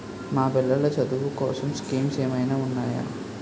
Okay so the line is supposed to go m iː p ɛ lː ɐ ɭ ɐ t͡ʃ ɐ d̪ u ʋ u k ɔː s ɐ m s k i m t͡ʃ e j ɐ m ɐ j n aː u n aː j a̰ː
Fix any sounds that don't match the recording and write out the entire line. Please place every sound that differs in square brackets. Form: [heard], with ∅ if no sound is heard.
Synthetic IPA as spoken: m [aː] p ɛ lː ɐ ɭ ɐ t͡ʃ ɐ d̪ u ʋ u k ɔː s ɐ m s k [iː] m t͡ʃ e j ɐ m ɐ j n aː u [nː] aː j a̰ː